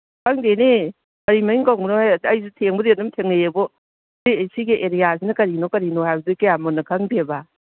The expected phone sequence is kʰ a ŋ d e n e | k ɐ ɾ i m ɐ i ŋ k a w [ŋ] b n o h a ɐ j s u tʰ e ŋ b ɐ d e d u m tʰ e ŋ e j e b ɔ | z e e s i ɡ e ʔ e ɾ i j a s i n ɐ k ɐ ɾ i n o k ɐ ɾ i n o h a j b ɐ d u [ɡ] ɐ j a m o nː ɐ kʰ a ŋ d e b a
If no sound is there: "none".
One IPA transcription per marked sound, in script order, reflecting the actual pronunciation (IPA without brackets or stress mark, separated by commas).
ŋ, k